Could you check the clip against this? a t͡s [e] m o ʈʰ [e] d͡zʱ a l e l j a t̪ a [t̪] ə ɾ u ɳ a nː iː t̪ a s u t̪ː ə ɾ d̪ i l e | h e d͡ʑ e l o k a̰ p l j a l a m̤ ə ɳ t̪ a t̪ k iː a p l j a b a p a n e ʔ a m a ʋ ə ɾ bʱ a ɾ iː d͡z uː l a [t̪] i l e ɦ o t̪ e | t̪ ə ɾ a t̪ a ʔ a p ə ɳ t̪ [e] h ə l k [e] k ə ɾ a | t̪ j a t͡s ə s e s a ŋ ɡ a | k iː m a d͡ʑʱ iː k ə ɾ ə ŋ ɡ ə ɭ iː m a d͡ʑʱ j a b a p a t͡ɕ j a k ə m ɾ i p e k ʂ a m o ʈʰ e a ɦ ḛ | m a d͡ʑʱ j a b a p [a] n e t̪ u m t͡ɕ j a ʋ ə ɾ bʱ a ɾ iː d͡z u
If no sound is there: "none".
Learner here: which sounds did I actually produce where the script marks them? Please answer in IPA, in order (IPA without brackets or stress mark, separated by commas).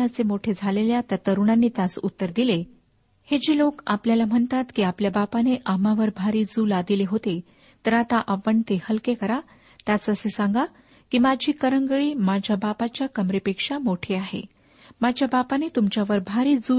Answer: e, e, t̪, d̪, e, e, a